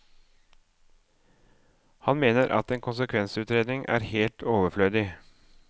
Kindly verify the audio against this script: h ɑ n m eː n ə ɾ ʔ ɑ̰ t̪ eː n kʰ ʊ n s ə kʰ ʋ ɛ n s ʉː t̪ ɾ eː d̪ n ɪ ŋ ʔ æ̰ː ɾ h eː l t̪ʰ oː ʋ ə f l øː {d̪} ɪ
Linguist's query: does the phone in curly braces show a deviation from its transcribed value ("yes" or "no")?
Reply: no